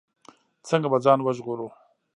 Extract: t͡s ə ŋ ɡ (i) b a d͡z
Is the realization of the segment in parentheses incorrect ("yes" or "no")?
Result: yes